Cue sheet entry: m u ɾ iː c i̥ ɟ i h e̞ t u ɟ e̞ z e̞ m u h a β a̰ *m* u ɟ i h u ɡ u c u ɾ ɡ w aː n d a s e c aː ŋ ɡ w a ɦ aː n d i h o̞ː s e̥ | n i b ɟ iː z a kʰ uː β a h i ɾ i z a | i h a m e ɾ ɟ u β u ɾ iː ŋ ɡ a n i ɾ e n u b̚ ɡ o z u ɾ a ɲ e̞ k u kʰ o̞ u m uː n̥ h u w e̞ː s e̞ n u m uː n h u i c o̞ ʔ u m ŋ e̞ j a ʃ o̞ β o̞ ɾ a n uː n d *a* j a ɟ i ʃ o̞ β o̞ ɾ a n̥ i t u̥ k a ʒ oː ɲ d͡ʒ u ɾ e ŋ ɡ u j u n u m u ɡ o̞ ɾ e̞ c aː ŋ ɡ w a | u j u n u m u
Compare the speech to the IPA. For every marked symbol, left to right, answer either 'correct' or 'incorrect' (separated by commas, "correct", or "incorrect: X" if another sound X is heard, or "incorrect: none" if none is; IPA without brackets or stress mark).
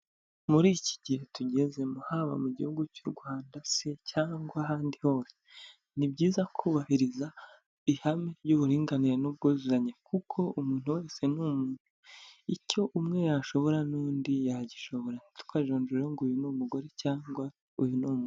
correct, incorrect: i